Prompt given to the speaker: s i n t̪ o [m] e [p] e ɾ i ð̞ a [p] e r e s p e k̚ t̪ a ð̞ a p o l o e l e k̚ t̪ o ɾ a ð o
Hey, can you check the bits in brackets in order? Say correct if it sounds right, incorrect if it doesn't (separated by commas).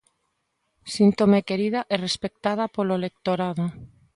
correct, incorrect, incorrect